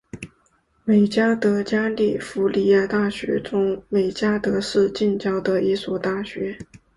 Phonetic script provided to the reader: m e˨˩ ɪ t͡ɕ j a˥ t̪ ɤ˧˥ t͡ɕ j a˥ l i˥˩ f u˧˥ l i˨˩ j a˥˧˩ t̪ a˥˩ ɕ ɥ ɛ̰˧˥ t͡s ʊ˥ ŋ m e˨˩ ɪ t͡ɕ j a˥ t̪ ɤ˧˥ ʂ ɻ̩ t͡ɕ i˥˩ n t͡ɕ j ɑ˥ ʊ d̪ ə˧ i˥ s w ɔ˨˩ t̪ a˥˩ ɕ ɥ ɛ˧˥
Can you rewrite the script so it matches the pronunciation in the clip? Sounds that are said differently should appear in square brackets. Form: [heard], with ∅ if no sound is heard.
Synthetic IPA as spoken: m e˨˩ ɪ t͡ɕ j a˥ t̪ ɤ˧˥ t͡ɕ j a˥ l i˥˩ f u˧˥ l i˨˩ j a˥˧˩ t̪ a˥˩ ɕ ɥ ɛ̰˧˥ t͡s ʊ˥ ŋ m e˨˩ ɪ t͡ɕ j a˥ t̪ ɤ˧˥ ʂ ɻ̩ t͡ɕ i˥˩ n t͡ɕ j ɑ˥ ʊ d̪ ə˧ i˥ s w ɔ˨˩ t̪ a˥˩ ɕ ɥ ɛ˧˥